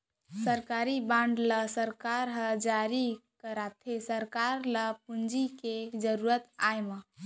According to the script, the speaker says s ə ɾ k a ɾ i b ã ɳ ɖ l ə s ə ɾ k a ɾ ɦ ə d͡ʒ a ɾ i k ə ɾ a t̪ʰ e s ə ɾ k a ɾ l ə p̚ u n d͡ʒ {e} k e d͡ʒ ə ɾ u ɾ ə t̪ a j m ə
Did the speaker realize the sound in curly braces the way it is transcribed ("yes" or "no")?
no